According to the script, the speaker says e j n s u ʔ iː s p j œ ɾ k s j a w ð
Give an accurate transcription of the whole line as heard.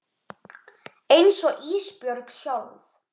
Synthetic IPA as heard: e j n s ɔ ʔ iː s p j œ ɾ k s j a w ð

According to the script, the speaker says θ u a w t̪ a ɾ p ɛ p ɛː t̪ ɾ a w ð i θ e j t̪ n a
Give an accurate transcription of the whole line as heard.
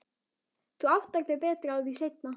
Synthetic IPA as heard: θ u a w t̪ a ɾ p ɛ p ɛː t̪ ɾ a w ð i s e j t̪ n a

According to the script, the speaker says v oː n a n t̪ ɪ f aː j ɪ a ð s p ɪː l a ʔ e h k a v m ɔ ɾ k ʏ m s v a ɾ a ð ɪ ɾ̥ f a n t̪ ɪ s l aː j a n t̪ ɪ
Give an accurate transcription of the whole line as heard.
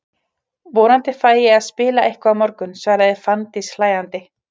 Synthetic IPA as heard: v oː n a n t̪ ɪ f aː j ɪ a ð s p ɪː l a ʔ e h k a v m ɔ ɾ k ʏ n s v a ɾ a ð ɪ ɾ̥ f a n t̪ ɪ s l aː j a n t̪ ɪ

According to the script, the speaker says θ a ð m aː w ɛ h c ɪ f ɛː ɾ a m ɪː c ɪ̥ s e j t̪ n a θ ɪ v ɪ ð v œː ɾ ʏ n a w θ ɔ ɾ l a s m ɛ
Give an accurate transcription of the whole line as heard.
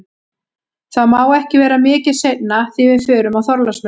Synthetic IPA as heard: θ a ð m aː w ɛ h c ɪ v ɛː ɾ a m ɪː c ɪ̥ s e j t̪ n a θ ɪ v ɪ ð f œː ɾ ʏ m a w θ ɔ ɾ l a s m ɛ

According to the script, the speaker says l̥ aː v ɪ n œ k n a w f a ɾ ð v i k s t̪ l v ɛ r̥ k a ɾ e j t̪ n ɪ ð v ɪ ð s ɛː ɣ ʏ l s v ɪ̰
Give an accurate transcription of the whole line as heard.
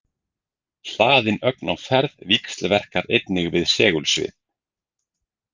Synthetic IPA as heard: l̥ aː ð ɪ n œ k n a w f ɛ ɾ ð v i k s t̪ l v ɛ r̥ k a ɾ e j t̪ n ɪ ɣ v ɪ ð s ɛː ɣ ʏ l s v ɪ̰

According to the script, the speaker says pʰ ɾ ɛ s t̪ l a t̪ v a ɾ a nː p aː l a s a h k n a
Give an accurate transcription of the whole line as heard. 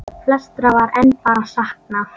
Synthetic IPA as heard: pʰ l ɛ s t̪ ɾ a v a ɾ ɛ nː p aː ɾ a s a h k n a

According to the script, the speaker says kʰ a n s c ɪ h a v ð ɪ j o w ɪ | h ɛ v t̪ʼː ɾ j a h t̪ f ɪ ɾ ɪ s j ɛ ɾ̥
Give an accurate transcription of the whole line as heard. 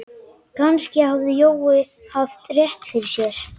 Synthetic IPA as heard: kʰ a n s c ɪ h a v ð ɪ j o w ɪ | h a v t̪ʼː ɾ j ɛ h t̪ f ɪ ɾ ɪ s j ɛ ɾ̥

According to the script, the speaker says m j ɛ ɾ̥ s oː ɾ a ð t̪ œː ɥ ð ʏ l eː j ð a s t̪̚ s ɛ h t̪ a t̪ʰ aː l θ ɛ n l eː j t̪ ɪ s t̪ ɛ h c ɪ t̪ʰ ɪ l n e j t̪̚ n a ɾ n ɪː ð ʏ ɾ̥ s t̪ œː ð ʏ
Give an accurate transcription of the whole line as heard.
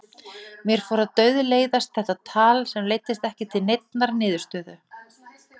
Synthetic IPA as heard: m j ɛ ɾ̥ f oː ɾ a ð t̪ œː ɥ ð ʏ l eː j ð a s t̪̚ θ ɛ h t̪ a t̪ʰ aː l s ɛ m l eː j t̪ ɪ s t̪ ɛ h c ɪ t̪ʰ ɪ l n e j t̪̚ n a ɾ n ɪː ð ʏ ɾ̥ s t̪ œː ð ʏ

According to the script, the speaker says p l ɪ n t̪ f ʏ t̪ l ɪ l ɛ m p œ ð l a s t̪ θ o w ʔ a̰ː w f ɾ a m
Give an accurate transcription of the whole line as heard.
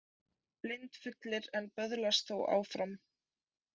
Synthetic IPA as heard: p l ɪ n t̪ f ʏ t̪ l ɪ ɾ ɛ n p œ ð l a s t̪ θ o w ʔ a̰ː w f ɾ a m

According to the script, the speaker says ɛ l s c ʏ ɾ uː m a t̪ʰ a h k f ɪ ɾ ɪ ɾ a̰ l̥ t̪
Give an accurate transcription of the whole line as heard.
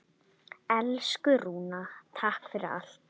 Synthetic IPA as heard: ɛ l s k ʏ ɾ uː n a t̪ʰ a h k f ɪ ɾ ɪ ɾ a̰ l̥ t̪

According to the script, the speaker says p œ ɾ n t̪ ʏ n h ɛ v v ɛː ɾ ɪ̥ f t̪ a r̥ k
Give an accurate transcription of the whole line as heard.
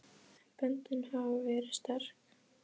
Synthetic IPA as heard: p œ n t̪ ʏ n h a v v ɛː ɾ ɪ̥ s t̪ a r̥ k

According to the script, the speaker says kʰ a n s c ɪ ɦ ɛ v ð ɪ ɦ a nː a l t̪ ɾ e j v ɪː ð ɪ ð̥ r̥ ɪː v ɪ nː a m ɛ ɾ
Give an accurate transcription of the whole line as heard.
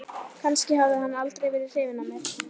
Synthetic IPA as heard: kʰ a n s c ɪ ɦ a v ð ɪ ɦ a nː a l t̪ ɾ e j v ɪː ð ɪ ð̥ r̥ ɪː v ɪ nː a m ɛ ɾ

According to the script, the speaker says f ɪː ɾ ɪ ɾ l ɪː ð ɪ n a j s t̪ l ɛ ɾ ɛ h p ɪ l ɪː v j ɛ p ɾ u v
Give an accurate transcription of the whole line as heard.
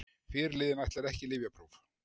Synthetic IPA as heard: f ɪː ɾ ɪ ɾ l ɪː ð ɪ n a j h t̪ l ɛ ɾ ɛ h c ɪ l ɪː v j a p ɾ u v

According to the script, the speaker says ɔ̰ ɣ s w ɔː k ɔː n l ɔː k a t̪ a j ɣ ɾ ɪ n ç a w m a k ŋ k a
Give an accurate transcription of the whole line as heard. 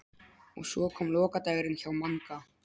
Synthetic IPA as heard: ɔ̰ ɣ s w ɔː kʰ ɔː m l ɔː k a t̪ a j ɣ ɾ ɪ n ç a w m a ŋ k a

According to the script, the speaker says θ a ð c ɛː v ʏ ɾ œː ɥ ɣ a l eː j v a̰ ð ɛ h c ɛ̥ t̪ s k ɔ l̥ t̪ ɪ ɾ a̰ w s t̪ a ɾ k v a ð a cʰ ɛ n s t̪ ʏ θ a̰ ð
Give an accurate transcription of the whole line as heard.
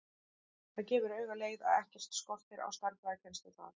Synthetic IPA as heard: θ a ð c ɛː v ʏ ɾ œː ɥ ɣ a l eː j ð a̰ ð ɛ h c ɛ̥ t̪ s k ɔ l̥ t̪ ɪ ɾ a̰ w s t̪ a ɾ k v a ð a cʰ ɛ n s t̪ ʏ θ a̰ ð

